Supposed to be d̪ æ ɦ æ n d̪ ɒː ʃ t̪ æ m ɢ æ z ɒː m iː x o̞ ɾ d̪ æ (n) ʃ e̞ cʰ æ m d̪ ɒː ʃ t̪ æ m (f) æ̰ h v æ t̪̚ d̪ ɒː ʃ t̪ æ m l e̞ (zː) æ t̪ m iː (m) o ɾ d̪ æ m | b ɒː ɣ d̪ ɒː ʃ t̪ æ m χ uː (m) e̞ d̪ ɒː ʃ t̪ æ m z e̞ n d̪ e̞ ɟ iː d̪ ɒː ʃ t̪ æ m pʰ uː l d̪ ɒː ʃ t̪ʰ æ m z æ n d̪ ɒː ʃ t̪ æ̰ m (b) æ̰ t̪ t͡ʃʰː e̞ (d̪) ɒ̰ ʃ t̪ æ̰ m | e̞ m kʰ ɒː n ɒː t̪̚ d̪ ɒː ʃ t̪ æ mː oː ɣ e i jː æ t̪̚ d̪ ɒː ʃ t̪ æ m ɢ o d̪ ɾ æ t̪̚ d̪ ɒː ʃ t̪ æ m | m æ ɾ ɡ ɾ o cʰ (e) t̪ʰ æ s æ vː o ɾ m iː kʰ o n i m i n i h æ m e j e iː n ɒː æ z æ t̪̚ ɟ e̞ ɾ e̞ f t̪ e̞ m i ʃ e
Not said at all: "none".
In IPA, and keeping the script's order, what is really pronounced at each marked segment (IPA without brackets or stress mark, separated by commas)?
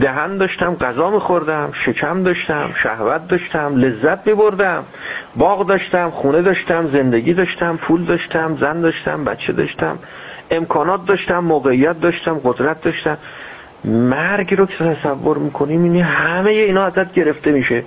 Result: m, ʃ, zː, b, n, b, d̪, e